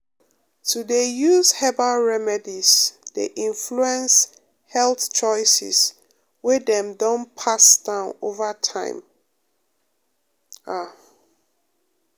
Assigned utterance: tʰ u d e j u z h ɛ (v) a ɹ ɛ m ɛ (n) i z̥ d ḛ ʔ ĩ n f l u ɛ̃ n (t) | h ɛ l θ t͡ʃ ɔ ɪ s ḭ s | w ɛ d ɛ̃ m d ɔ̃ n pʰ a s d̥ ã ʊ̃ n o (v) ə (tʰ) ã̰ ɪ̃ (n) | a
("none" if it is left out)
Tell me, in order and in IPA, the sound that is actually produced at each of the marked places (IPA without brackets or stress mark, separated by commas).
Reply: b, d, s, v, tʰ, m